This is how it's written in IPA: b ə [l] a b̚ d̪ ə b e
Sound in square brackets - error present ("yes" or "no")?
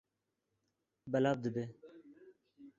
no